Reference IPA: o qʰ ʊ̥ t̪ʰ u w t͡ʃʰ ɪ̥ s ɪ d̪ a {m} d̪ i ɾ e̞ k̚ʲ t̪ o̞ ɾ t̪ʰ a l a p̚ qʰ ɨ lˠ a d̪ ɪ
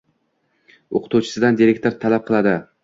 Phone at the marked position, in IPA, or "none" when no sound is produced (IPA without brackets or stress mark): n